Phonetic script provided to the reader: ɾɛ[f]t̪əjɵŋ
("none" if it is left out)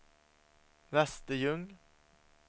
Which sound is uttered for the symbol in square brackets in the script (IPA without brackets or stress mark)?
s